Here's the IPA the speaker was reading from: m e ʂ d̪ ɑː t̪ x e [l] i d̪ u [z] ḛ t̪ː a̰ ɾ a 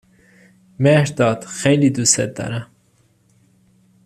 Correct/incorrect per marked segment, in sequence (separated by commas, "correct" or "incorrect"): correct, incorrect